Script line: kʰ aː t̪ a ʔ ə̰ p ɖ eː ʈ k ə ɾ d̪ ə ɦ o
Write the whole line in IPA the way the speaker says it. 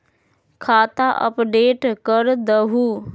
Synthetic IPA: kʰ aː t̪ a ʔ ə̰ p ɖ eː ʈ k ə ɾ d̪ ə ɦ u